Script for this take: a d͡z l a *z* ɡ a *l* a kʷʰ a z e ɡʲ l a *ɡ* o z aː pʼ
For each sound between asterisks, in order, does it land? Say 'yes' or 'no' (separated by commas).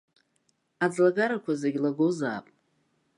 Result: no, no, yes